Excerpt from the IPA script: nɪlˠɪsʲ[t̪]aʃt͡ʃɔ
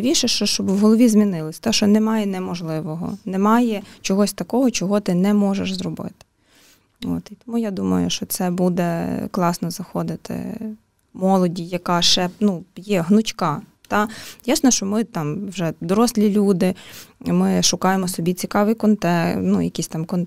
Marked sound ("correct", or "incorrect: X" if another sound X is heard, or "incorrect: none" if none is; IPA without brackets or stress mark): correct